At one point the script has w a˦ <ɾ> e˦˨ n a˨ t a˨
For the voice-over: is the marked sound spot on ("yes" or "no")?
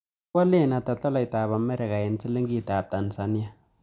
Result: no